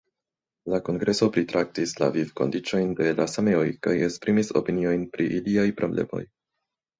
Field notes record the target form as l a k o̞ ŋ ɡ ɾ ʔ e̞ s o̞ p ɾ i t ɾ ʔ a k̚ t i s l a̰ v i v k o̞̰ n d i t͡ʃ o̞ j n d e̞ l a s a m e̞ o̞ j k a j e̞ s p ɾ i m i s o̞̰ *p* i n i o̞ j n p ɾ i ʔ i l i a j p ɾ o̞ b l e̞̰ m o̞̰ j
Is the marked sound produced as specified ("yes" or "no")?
yes